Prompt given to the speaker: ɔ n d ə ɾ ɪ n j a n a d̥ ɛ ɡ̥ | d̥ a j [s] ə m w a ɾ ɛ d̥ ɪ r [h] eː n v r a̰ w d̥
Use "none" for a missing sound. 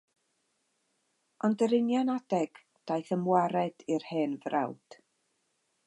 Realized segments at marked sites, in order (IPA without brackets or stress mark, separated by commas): θ, h